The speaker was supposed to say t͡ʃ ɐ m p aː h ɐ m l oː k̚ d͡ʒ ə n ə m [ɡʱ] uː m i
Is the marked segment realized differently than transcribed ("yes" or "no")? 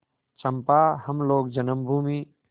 yes